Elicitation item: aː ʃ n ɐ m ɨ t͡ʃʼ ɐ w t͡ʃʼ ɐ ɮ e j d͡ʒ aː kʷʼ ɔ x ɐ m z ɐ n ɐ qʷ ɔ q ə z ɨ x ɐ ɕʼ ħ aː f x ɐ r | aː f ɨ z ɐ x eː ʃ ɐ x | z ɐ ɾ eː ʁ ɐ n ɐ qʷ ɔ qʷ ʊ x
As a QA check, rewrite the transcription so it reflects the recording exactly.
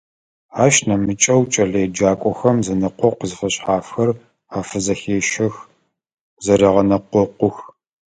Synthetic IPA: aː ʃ n ɐ m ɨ t͡ʃʼ ɐ w t͡ʃʼ ɐ ɮ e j d͡ʒ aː kʷʼ ɔ x ɐ m z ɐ n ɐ qʷ ɔ q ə z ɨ f ɐ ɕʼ ħ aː f x ɐ r | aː f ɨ z ɐ x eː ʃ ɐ x | z ɐ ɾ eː ʁ ɐ n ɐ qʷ ɔ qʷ ʊ x